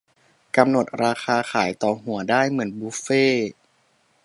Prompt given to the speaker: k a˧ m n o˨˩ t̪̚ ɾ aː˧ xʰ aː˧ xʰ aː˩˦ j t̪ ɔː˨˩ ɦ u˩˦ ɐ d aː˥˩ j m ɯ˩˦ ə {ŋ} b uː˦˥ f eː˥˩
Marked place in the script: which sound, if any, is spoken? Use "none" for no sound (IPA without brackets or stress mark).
n